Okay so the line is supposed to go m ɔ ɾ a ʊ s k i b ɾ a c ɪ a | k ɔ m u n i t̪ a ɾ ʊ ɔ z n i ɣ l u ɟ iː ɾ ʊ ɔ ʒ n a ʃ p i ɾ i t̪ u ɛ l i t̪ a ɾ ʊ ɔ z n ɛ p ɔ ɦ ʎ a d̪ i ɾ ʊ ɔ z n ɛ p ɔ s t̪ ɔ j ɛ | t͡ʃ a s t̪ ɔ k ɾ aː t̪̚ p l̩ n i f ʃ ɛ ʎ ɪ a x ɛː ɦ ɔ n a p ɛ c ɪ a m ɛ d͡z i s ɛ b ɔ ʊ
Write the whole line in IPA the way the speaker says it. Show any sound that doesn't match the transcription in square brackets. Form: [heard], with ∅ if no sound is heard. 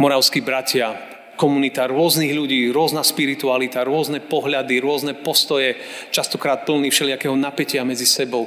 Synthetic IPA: m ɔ ɾ a ʊ s k i b ɾ a c ɪ a | k ɔ m u n i t̪ a ɾ ʊ ɔ z n i ɣ [ʎ] u ɟ iː ɾ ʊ ɔ [z] n a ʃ p i ɾ i t̪ u [a] l i t̪ a ɾ ʊ ɔ z n ɛ p ɔ ɦ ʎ a d̪ i ɾ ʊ ɔ z n ɛ p ɔ s t̪ ɔ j ɛ | t͡ʃ a s t̪ ɔ k ɾ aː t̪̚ p l̩ n i f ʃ ɛ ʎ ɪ a [k] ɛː ɦ ɔ n a p ɛ c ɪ a m ɛ d͡z i s ɛ b ɔ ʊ